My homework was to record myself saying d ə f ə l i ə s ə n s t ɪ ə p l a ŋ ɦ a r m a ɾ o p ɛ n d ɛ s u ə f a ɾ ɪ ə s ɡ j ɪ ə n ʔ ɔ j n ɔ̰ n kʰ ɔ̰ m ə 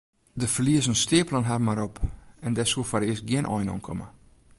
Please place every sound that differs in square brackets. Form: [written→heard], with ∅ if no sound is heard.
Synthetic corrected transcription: d ə f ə l i ə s ə n s t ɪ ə p l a [ŋ→n] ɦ a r m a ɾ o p ɛ n d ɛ s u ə f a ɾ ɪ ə s ɡ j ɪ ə n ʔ ɔ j n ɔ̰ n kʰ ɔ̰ m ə